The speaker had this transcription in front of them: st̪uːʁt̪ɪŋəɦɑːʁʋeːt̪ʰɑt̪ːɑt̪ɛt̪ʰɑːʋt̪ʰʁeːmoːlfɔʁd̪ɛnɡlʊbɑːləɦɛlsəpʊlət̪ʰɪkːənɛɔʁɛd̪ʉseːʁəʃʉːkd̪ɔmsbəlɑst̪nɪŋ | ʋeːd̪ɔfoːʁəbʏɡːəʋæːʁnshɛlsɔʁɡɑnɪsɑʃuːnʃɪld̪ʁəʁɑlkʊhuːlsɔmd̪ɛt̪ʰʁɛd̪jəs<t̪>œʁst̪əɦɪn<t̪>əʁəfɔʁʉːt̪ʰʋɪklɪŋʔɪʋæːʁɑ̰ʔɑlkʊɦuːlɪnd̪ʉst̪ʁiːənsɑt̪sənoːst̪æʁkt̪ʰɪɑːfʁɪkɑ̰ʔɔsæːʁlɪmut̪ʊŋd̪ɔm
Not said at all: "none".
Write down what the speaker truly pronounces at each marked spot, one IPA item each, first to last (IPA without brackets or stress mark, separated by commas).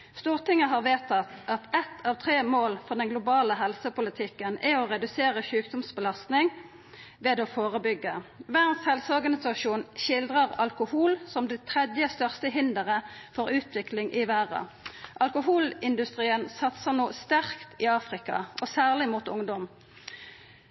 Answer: t̪, d̪